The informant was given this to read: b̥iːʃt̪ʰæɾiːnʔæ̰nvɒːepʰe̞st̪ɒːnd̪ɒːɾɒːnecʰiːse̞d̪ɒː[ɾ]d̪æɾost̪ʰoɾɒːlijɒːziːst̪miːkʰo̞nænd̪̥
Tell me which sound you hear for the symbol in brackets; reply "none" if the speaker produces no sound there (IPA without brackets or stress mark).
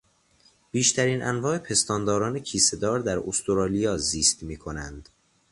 ɾ